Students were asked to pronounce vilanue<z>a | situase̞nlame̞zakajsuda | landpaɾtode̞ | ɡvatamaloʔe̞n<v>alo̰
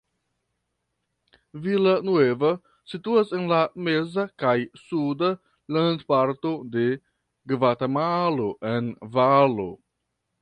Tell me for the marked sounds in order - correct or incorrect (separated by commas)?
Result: incorrect, correct